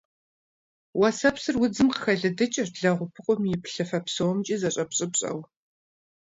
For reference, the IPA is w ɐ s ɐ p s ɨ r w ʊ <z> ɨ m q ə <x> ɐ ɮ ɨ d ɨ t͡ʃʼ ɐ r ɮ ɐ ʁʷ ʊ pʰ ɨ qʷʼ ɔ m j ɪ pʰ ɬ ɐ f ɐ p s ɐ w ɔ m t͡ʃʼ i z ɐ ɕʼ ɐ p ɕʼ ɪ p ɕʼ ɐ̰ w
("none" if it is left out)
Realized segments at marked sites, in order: d͡z, x

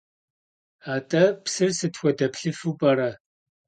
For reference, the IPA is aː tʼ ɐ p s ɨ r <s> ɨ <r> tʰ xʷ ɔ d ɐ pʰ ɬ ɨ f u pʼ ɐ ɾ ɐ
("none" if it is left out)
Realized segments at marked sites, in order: s, none

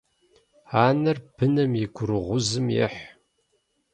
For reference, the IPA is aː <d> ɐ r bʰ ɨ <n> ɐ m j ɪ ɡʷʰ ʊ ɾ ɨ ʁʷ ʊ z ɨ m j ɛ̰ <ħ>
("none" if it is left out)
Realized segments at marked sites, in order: n, n, ħ

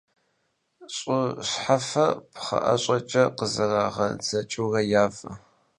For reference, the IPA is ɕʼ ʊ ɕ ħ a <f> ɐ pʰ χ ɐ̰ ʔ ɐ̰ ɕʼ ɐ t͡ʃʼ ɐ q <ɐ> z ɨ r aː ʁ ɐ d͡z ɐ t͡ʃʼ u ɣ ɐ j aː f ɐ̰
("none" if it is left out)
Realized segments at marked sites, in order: f, ə

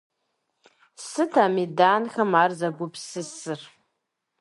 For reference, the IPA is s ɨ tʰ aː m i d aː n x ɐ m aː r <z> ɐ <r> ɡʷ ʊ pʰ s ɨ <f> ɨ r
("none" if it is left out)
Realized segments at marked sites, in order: z, none, s

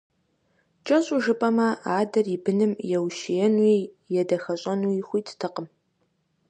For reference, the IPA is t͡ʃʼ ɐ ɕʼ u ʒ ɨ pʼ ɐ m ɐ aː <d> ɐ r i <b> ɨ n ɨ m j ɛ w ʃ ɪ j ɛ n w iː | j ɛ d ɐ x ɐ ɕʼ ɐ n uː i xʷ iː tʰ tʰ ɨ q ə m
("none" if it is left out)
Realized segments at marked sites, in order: d, b

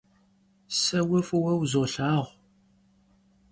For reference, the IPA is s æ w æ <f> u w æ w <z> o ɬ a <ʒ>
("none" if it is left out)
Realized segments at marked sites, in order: f, z, ʁ

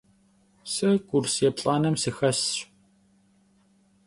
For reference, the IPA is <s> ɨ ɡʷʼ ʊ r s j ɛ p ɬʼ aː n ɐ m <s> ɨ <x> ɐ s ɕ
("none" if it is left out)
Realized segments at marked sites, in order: s, s, x

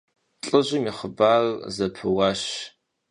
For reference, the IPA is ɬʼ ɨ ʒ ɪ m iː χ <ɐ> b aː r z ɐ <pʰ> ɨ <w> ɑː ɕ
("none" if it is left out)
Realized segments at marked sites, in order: ə, pʰ, w

